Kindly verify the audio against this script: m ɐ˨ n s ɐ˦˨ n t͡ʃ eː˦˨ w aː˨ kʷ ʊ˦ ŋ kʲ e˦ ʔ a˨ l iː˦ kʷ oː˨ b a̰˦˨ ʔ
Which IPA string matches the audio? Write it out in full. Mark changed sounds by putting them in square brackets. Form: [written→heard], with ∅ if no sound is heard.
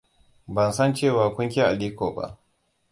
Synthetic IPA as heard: [m→b] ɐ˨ n s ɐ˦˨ n t͡ʃ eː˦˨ w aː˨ kʷ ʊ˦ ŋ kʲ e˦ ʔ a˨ l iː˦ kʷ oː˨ b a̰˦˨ ʔ